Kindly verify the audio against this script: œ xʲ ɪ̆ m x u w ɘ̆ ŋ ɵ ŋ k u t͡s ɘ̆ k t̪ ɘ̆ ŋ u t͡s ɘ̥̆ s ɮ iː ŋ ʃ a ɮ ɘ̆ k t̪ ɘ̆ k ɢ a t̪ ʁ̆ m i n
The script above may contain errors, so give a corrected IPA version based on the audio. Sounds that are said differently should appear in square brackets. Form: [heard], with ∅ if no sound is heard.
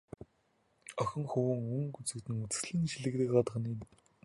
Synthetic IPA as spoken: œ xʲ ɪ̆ [ŋ] x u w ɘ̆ ŋ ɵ ŋ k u t͡s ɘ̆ k t̪ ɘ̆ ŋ u t͡s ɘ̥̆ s ɮ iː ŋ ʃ [i] ɮ ɘ̆ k t̪ ɘ̆ k ɢ a t̪ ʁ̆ [n] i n